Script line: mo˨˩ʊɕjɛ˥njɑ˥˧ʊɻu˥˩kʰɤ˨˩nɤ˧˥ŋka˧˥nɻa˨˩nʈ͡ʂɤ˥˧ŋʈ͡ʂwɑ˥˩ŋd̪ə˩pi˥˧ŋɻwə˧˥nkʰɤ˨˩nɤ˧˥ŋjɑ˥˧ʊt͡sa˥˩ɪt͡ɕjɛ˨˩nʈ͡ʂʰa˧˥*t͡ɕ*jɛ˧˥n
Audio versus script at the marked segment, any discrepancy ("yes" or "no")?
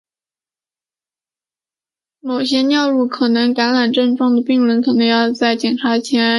yes